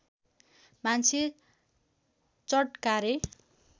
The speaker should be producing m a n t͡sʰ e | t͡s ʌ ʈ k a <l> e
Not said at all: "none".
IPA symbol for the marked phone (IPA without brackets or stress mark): ɾ